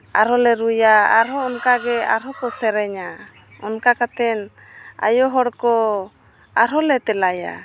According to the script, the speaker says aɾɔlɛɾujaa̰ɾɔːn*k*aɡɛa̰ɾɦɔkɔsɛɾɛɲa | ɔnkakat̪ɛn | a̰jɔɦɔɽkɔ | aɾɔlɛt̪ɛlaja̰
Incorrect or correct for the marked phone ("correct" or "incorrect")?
correct